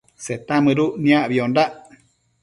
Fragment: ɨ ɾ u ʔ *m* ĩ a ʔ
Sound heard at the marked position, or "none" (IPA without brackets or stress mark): n